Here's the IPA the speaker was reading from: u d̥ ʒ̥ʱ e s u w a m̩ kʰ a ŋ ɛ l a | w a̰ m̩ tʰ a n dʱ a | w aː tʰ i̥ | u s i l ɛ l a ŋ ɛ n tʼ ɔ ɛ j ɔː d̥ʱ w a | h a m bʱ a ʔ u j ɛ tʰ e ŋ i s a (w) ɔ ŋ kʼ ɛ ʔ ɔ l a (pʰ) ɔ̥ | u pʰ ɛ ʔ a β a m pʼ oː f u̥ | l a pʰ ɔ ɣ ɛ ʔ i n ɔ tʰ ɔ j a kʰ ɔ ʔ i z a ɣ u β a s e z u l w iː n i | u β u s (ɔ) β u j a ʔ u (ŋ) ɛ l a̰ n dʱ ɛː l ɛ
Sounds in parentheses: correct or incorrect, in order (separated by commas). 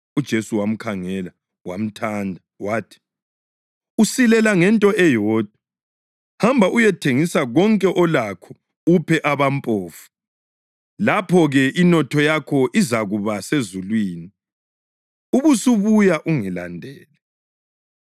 incorrect, incorrect, incorrect, correct